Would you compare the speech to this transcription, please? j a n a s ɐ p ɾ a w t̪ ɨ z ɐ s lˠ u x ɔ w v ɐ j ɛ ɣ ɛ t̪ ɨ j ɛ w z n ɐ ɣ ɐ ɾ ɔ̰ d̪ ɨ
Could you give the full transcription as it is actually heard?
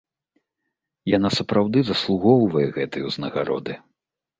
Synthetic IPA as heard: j a n a s ɐ p ɾ a w d̪ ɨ z ɐ s lˠ u ɣ ɔ w v ɐ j ɛ ɣ ɛ t̪ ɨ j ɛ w z n ɐ ɣ a ɾ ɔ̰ d̪ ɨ